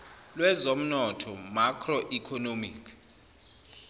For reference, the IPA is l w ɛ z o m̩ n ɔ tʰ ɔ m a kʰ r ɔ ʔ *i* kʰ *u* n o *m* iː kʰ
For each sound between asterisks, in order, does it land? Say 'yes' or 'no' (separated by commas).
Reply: yes, no, yes